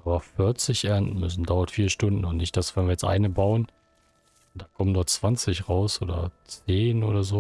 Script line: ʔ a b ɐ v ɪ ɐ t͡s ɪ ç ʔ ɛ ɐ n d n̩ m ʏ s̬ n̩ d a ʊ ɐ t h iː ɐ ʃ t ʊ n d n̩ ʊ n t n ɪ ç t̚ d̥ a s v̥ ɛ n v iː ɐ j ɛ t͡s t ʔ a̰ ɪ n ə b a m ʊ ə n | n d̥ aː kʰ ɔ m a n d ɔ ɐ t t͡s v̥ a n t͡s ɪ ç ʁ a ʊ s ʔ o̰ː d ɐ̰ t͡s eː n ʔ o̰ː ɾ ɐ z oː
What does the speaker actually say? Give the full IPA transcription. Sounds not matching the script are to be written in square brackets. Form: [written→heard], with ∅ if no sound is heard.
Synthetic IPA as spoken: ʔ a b ɐ [v→f] ɪ ɐ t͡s ɪ ç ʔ ɛ ɐ n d n̩ m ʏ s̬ n̩ d a ʊ ɐ t [h→f] iː ɐ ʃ t ʊ n d n̩ ʊ n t n ɪ ç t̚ d̥ a s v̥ ɛ n v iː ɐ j ɛ t͡s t ʔ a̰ ɪ n ə b a [m→∅] ʊ ə n | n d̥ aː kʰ ɔ m [a→ə] n d ɔ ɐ t t͡s v̥ a n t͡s ɪ ç ʁ a ʊ s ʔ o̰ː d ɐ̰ t͡s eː n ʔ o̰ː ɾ ɐ z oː